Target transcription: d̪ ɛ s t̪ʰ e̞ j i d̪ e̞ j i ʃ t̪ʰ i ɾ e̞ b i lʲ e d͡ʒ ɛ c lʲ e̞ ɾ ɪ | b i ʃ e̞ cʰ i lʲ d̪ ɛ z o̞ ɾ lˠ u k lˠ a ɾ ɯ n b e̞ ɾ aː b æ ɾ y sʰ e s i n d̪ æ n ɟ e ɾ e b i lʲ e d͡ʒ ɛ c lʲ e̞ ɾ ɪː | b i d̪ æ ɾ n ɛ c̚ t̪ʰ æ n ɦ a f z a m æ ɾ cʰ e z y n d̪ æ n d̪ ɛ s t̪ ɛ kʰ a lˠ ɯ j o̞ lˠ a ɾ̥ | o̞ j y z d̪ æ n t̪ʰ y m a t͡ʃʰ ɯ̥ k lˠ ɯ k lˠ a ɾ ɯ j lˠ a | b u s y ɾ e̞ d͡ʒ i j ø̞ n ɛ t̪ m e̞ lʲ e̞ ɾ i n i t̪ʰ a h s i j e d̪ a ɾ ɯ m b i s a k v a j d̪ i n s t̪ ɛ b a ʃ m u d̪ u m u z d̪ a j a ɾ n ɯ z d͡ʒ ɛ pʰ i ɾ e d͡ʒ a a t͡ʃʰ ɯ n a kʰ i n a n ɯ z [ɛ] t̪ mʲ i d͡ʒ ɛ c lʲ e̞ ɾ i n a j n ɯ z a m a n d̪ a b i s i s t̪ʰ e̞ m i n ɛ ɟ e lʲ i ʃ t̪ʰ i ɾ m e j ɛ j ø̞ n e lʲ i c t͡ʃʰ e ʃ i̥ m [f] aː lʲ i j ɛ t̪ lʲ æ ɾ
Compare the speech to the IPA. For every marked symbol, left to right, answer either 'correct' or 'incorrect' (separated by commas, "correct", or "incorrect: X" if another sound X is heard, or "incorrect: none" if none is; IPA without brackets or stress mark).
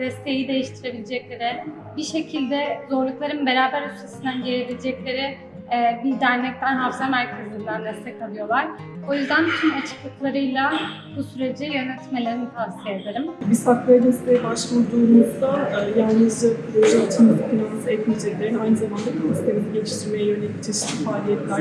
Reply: correct, correct